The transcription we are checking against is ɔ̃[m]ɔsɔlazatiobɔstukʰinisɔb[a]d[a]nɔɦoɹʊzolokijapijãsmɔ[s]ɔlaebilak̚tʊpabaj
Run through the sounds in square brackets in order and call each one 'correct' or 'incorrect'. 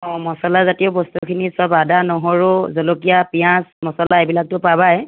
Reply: correct, correct, correct, correct

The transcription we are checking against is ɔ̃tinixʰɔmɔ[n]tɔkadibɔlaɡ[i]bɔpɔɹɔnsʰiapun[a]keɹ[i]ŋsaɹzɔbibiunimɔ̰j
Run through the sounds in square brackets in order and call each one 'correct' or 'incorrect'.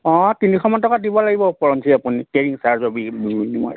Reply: correct, correct, incorrect: i, correct

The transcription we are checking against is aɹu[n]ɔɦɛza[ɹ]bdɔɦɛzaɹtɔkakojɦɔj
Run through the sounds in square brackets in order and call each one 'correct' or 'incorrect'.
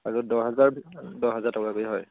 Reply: incorrect: d, correct

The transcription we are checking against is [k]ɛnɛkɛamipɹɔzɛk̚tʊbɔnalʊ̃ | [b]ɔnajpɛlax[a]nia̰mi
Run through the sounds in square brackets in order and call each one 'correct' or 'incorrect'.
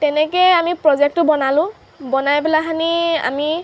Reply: incorrect: t, correct, correct

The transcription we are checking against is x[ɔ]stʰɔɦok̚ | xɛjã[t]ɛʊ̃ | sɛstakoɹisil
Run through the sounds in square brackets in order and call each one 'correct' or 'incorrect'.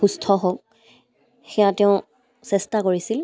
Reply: incorrect: u, correct

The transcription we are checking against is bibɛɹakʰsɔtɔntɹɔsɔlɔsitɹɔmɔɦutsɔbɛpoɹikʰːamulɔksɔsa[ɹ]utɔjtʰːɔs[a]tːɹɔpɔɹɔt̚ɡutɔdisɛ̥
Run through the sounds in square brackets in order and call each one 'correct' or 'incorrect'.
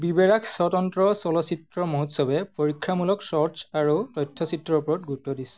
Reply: correct, incorrect: i

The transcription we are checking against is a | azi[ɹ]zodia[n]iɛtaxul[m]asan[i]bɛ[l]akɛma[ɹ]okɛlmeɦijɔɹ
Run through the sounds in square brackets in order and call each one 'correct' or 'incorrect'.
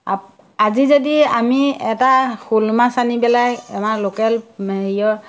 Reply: incorrect: none, incorrect: m, correct, correct, correct, incorrect: l

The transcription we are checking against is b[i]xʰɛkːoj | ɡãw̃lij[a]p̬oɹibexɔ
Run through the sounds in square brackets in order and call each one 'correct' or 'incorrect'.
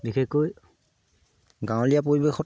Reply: correct, correct

